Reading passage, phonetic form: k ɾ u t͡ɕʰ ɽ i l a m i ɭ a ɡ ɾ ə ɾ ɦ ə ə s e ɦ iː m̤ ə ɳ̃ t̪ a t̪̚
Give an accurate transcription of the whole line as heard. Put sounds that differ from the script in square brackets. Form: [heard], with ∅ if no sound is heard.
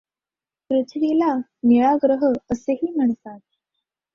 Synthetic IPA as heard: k ɾ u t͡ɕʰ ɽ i l a [n] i ɭ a ɡ ɾ ə [∅] ɦ ə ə s e ɦ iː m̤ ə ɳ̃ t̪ a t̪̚